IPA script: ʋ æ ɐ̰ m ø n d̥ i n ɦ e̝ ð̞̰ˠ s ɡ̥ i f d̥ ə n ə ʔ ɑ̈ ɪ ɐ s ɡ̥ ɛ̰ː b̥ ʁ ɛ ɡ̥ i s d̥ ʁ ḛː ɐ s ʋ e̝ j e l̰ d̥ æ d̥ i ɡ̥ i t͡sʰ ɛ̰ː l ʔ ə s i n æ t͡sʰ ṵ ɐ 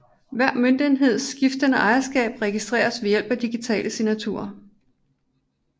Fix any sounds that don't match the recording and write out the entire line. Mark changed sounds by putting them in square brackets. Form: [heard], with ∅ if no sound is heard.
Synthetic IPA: ʋ æ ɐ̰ m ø n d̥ i n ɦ e̝ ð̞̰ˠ s ɡ̥ i f d̥ ə n ə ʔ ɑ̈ ɪ ɐ s ɡ̥ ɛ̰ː b̥ ʁ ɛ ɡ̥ i s d̥ ʁ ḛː ɐ s ʋ e̝ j e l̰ [b̥] æ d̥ i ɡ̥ i t͡sʰ ɛ̰ː l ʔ ə s i n æ t͡sʰ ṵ ɐ